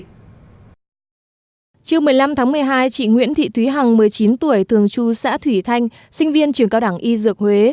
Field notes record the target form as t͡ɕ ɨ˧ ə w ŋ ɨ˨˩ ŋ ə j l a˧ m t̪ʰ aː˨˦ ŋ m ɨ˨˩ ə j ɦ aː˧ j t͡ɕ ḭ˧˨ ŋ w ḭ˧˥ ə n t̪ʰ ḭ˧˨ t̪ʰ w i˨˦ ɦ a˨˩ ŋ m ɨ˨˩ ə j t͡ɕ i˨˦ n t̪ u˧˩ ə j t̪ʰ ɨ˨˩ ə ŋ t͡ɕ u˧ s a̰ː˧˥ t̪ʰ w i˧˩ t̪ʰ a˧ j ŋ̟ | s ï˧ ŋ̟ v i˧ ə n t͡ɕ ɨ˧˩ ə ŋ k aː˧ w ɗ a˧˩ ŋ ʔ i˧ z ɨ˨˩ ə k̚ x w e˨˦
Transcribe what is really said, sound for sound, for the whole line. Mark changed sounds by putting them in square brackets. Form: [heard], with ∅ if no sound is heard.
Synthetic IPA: t͡ɕ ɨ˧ ə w [m] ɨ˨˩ [∅] ə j l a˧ m t̪ʰ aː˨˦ ŋ m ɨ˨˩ ə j ɦ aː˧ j t͡ɕ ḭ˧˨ ŋ w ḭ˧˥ ə n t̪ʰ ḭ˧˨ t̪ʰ w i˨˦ ɦ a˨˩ ŋ m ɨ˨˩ ə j t͡ɕ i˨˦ n t̪ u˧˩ ə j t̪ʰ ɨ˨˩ ə ŋ t͡ɕ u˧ s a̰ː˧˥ t̪ʰ w i˧˩ t̪ʰ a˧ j ŋ̟ | s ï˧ ŋ̟ v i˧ ə n t͡ɕ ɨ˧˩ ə ŋ k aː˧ w ɗ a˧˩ ŋ ʔ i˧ z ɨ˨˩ ə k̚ [h] w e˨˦